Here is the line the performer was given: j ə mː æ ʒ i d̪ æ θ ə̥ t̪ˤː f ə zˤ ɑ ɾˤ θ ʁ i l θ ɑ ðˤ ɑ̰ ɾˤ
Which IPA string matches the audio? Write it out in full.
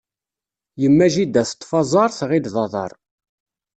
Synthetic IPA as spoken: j ə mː æ ʒ i d̪ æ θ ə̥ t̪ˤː f ɑ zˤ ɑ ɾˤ θ ʁ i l ð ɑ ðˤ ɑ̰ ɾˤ